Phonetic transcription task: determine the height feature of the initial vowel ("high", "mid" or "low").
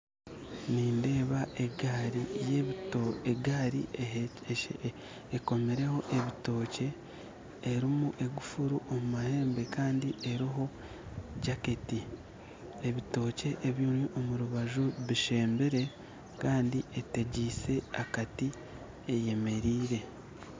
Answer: high